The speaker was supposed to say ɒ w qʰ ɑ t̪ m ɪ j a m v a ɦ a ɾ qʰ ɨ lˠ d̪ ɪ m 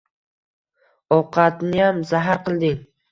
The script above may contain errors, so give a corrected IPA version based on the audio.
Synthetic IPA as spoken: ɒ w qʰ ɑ t̪ n ɪ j a m z a ɦ a ɾ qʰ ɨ lˠ d̪ ɪ ŋ